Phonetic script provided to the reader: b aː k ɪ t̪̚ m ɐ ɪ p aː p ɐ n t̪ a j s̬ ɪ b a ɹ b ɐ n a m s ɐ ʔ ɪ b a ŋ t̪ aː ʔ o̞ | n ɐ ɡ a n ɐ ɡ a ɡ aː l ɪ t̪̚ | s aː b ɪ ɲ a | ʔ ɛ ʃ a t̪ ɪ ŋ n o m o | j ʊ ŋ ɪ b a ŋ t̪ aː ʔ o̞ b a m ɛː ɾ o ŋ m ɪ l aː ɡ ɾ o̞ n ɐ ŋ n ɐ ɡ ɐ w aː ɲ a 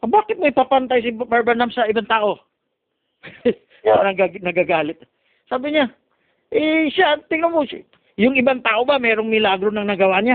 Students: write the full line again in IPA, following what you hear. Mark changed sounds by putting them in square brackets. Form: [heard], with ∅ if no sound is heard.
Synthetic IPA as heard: b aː k ɪ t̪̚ m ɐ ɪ p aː p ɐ n t̪ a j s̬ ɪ b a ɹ b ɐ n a m s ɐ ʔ ɪ b a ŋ t̪ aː ʔ o̞ | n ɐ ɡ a n ɐ ɡ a ɡ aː l ɪ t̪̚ | s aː b ɪ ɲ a | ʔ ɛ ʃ a t̪ ɪ ŋ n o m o | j ʊ ŋ ɪ b a ŋ t̪ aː ʔ o̞ b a m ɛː ɾ o ŋ m ɪ l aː ɡ ɾ o̞ n ɐ ŋ n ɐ ɡ ɐ w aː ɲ a